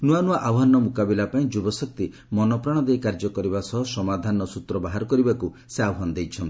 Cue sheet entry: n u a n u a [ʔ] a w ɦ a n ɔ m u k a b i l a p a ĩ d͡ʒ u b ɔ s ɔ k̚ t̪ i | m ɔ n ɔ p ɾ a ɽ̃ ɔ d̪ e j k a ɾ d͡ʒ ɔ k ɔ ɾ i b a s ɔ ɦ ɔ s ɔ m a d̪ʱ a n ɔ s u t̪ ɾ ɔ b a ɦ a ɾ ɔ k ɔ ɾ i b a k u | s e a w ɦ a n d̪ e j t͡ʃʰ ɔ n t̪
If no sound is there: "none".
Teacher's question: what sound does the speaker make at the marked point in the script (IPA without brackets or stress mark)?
ʔ